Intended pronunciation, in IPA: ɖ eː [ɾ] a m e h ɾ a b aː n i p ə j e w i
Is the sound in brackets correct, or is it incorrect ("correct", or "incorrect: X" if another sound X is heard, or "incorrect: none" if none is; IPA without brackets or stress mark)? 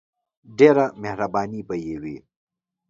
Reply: correct